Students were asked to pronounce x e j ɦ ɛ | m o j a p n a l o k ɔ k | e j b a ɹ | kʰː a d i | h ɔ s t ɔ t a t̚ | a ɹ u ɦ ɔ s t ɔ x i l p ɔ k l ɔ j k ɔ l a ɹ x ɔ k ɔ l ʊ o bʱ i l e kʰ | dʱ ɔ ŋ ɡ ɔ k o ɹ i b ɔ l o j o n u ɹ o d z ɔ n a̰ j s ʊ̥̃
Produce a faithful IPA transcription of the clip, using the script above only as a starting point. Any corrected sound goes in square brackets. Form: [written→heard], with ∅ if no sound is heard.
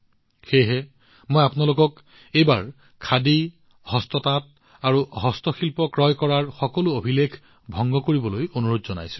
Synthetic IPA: x e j ɦ ɛ | m o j a p n a l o k ɔ k | e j b a ɹ | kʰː a d i | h ɔ s t ɔ t a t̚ | a ɹ u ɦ ɔ s t ɔ x i l p ɔ k [l→ɹ] ɔ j k ɔ [l→ɹ] a ɹ x ɔ k ɔ l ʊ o bʱ i l e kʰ | [dʱ→bʱ] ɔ ŋ ɡ ɔ k o ɹ i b ɔ l o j o n u ɹ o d z ɔ n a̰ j s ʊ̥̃